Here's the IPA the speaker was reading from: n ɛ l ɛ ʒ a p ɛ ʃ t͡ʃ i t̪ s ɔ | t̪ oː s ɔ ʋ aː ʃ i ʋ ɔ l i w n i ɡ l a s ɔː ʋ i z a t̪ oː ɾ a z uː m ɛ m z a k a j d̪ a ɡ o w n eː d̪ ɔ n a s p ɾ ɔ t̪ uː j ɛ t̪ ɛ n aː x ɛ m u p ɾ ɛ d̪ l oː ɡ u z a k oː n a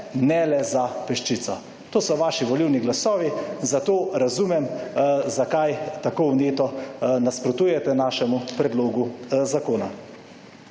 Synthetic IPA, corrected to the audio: n ɛ l ɛ z a p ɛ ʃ t͡ʃ i t̪ s ɔ | t̪ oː s ɔ ʋ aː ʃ i ʋ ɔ l i w n i ɡ l a s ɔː ʋ i z a t̪ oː ɾ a z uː m ɛ m z a k a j t̪ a k o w n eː t̪ ɔ n a s p ɾ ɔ t̪ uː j ɛ t̪ ɛ n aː ʃ ɛ m u p ɾ ɛ d̪ l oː ɡ u z a k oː n a

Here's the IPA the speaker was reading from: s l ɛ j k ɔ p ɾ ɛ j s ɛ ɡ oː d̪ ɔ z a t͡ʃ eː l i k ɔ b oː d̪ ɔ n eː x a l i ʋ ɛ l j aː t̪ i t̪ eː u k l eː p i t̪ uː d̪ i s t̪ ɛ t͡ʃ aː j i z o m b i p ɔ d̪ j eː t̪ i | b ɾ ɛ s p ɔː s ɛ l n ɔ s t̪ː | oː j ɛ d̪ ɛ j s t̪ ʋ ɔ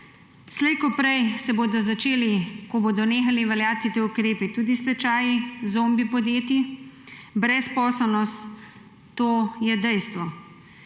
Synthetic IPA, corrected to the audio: s l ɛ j k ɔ p ɾ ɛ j s ɛ b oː d̪ ɔ z a t͡ʃ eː l i k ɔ b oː d̪ ɔ n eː x a l i ʋ ɛ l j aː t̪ i t̪ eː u k ɾ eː p i t̪ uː d̪ i s t̪ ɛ t͡ʃ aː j i z o m b i p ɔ d̪ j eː t̪ i | b ɾ ɛ s p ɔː s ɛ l n ɔ s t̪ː | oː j ɛ d̪ ɛ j s t̪ ʋ ɔ

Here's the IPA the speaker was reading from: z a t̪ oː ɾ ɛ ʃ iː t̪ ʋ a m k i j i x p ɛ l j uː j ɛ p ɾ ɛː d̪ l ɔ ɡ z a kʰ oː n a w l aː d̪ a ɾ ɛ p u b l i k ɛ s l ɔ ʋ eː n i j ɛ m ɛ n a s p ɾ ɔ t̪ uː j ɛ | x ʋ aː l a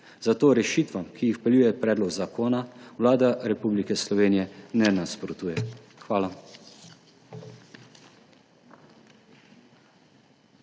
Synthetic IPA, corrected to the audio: z a t̪ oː ɾ ɛ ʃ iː t̪ ʋ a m k i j i x p ɛ l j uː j ɛ p ɾ ɛː d̪ l ɔ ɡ z a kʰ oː n a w l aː d̪ a ɾ ɛ p u b l i k ɛ s l ɔ ʋ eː n i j ɛ n ɛ n a s p ɾ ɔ t̪ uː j ɛ | x ʋ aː l a

